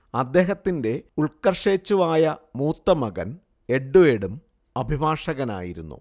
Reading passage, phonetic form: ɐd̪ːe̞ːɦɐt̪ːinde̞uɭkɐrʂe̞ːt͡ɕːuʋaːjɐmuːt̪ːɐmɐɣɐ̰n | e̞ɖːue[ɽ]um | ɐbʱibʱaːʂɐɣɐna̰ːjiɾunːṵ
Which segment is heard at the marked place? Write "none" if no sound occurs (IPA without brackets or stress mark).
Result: ɽ